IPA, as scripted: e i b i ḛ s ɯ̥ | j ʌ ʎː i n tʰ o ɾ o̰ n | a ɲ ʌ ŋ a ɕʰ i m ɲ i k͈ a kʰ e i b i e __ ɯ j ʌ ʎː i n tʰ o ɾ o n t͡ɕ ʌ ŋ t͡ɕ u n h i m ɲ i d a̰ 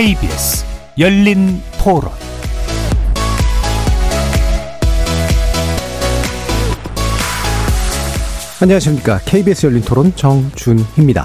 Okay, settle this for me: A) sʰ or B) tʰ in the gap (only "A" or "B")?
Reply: A